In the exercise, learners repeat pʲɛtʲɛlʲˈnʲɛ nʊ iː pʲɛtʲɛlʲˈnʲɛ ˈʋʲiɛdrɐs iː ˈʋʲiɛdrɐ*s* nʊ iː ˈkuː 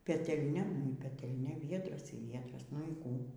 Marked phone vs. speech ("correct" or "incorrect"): correct